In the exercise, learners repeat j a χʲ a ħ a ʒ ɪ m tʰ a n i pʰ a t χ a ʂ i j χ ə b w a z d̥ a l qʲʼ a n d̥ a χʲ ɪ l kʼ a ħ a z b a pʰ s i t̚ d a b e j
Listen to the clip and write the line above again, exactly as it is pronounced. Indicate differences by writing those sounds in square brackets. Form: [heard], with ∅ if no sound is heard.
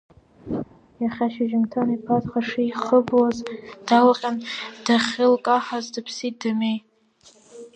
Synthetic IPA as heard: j a χʲ a [ʃ] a ʒ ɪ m tʰ a n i pʰ a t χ a ʂ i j χ ə b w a z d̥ a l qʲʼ a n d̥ a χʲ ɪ l kʼ a ħ a z [d] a pʰ s i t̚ d a [m] e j